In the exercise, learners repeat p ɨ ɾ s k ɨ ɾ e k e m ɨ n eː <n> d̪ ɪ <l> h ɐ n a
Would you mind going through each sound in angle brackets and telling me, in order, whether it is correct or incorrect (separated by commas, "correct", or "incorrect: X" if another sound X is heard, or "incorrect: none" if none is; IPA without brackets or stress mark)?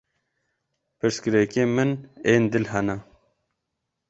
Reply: correct, correct